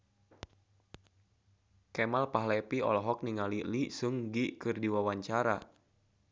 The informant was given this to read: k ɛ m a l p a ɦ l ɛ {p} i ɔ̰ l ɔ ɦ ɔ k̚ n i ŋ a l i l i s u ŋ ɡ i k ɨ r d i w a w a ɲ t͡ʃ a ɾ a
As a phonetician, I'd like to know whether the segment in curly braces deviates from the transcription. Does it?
no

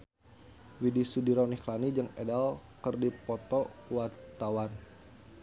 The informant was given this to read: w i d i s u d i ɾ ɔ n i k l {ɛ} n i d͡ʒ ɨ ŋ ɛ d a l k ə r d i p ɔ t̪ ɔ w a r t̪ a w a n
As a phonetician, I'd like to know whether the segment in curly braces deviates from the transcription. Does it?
yes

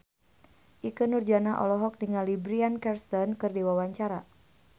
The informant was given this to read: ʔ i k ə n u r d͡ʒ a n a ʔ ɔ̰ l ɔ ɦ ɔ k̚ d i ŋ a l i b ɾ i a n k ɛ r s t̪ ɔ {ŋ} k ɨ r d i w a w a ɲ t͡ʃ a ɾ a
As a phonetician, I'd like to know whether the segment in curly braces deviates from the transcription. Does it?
yes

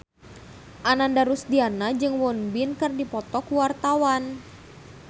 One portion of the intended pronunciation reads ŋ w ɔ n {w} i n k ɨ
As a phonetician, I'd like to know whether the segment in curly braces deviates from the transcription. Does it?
yes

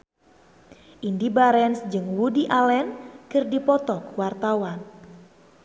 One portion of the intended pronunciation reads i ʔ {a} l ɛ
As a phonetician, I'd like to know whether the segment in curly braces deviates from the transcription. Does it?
no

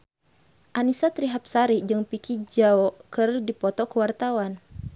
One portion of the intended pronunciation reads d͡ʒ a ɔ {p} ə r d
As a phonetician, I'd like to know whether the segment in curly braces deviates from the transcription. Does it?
yes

